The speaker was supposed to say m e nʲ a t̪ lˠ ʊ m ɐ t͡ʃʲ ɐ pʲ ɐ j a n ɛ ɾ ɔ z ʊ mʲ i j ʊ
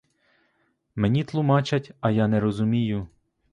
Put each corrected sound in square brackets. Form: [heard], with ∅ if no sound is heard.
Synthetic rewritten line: m e nʲ [i] t̪ lˠ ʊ m [ɑ] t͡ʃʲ ɐ [tʲ] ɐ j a n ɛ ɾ ɔ z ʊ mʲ i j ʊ